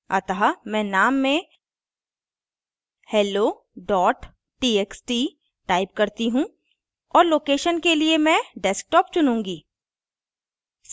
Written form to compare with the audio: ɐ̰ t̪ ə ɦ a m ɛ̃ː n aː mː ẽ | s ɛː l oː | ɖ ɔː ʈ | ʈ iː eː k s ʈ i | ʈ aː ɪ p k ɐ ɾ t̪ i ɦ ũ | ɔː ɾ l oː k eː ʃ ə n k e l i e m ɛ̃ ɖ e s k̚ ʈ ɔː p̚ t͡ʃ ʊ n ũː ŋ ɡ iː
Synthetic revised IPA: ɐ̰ t̪ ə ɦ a m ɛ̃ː n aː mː ẽ | h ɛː l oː | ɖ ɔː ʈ | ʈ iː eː k s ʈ i | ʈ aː ɪ p k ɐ ɾ t̪ i ɦ ũ | ɔː ɾ l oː k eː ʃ ə n k e l i e m ɛ̃ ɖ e s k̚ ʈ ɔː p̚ t͡ʃ ʊ n ũː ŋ ɡ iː